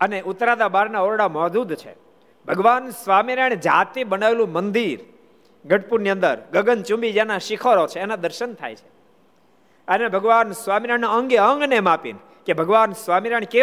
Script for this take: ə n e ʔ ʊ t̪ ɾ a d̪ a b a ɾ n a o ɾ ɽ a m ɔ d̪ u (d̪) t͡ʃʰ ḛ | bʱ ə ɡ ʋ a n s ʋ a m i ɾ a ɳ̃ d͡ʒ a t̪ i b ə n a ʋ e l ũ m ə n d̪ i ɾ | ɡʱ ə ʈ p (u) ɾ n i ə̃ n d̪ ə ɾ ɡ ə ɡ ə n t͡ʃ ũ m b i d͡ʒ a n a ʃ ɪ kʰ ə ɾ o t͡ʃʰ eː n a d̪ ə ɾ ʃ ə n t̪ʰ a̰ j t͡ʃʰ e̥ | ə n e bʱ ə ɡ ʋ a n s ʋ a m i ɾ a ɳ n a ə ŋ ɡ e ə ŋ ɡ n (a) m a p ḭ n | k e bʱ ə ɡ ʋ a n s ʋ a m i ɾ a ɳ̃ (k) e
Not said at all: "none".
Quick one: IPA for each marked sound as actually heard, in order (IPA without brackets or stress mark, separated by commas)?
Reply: d̪, u, e, k